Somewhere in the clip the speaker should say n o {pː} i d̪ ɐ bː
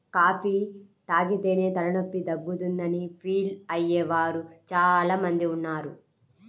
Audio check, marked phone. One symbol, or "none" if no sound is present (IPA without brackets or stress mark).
pː